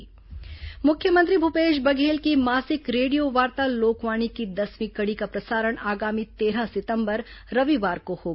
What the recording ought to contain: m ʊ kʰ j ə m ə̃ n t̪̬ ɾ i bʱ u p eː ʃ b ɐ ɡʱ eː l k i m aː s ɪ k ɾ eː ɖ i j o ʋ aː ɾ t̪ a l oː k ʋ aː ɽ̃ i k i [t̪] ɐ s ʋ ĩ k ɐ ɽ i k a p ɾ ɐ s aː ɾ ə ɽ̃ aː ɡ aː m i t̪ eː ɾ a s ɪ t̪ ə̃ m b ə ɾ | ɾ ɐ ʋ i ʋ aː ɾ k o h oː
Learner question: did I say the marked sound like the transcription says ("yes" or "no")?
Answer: no